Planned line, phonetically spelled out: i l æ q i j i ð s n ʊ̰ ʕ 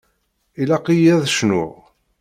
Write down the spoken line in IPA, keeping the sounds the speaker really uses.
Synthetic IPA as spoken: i l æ q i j æ ð ʃ n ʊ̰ ʁ

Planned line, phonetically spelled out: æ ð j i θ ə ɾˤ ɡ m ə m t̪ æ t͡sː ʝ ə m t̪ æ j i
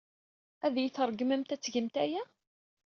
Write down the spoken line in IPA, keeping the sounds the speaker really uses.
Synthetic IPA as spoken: æ ð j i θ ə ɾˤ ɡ m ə m t̪ æ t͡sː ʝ ə m t̪ æ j æ

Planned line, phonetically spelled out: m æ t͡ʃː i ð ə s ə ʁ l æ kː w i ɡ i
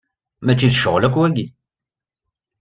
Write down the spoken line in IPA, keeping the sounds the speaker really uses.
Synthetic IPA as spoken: m æ t͡ʃː i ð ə ʃ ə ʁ l æ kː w æ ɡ i

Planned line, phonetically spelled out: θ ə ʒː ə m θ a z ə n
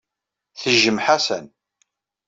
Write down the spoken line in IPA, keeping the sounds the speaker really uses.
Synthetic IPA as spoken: θ ə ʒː ə m ħ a s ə n

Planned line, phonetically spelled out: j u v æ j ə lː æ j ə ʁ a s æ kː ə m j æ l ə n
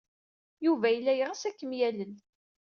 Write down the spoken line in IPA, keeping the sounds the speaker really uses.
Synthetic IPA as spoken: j u v æ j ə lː æ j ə ʁ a s æ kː ə m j æ l ə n

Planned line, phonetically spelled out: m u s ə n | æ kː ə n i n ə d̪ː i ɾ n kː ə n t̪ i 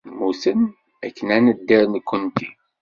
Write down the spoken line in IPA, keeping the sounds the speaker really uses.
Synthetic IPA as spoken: m u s ə n | æ kː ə n æ n ə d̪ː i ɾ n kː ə n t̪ i

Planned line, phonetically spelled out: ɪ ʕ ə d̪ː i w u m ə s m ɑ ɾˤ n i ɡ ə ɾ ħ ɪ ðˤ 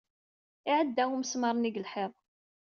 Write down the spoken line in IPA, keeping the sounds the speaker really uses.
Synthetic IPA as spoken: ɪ ʕ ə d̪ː æ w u m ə s m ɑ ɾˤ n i ɡ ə l ħ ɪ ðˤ

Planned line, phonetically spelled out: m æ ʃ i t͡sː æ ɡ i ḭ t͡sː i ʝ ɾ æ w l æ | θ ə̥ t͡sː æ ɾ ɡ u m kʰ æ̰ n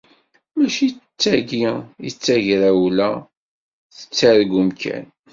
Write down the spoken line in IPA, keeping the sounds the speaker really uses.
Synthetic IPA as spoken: m æ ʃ i t͡sː æ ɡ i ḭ t͡sː æ ʝ ɾ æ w l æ | θ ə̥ t͡sː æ ɾ ɡ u m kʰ æ̰ n

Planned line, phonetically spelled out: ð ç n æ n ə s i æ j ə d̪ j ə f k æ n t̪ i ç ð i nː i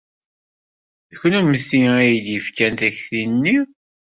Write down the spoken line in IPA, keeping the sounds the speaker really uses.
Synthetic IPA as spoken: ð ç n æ m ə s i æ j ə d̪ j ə f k æ n t̪ æ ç θ i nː i

